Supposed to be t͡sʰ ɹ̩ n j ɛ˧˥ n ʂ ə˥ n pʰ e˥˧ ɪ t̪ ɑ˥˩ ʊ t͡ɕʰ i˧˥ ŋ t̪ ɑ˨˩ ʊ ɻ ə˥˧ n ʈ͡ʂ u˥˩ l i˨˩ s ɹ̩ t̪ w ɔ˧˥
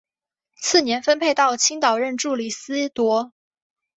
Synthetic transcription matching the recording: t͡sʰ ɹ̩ n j ɛ˧˥ n f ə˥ n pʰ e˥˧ ɪ t̪ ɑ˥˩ ʊ t͡ɕʰ i˥ ŋ t̪ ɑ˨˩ ʊ ɻ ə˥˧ n ʈ͡ʂ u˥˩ l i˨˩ s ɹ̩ t̪ w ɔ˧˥